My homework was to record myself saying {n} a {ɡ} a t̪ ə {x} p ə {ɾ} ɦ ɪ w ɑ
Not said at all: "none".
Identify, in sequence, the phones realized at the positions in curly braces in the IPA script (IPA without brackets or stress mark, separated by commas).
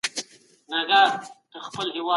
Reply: n, ɡ, x, l